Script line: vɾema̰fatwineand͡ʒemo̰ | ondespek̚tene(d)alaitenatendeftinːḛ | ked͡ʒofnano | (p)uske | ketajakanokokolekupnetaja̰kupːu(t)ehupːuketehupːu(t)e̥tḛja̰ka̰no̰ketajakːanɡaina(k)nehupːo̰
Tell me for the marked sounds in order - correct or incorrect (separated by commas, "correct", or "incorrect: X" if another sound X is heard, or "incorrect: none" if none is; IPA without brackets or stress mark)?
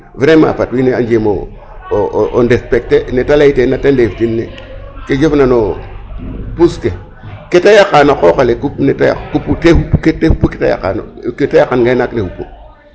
incorrect: t, correct, correct, incorrect: k, correct